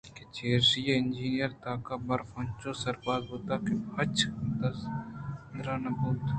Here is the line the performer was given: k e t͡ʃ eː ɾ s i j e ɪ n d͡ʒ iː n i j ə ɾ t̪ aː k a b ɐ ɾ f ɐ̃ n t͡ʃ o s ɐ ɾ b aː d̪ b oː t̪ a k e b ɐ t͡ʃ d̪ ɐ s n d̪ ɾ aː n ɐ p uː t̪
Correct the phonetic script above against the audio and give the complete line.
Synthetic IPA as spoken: k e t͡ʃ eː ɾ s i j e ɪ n d͡ʒ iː n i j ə ɾ t̪ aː k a b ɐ ɾ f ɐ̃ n t͡ʃ o s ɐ ɾ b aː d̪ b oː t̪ a k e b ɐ t͡ʃ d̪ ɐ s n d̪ ɾ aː n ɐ b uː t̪